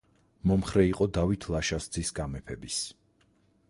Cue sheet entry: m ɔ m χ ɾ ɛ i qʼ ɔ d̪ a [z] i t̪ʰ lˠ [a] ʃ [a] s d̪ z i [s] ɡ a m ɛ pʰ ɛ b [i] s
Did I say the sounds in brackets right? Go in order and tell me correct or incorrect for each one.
incorrect, correct, correct, correct, correct

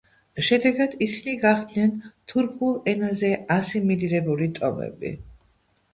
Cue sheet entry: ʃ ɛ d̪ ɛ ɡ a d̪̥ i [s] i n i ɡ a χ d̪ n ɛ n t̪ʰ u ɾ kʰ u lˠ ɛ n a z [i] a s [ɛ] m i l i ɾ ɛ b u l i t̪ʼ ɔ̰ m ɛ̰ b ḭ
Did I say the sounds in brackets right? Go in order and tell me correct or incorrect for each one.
correct, incorrect, incorrect

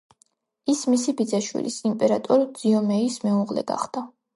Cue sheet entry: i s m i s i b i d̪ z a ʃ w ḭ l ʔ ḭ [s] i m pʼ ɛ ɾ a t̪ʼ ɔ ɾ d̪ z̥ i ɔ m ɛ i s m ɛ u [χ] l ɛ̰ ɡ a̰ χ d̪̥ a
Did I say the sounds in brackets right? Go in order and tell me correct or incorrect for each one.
correct, incorrect

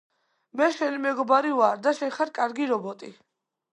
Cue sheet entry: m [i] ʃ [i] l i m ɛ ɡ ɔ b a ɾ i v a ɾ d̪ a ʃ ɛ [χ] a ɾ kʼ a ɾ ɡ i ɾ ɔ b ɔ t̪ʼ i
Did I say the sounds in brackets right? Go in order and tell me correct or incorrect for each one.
incorrect, incorrect, correct

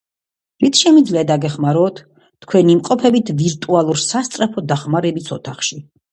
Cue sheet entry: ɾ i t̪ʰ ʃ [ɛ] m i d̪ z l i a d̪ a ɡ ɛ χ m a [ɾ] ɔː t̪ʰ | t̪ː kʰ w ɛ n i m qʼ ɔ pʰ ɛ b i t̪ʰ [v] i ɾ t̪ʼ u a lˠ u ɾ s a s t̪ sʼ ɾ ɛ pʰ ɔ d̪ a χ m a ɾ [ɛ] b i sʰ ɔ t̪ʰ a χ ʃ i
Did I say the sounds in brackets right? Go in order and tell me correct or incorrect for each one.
correct, correct, correct, correct

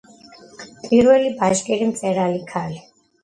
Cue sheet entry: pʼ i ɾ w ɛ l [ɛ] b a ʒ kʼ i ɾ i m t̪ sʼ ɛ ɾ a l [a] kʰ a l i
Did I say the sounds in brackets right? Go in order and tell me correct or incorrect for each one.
incorrect, incorrect

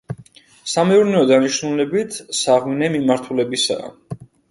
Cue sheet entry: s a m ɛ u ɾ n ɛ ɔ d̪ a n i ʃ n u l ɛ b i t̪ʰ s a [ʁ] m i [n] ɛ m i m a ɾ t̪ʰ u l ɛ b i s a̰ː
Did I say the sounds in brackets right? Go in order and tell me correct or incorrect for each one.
correct, correct

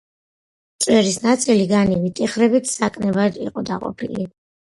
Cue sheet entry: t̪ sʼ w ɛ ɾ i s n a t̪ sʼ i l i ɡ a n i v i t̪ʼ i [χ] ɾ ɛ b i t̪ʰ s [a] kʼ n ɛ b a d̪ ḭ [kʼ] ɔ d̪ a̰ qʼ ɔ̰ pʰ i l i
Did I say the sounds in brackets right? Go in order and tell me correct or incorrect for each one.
correct, correct, incorrect

